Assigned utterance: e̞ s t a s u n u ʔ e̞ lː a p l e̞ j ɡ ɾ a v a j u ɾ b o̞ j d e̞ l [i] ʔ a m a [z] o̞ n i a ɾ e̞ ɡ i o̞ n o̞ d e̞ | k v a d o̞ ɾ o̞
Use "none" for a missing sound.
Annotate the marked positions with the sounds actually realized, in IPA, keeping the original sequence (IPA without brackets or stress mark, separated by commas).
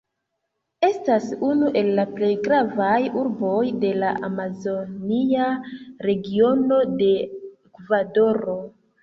a, z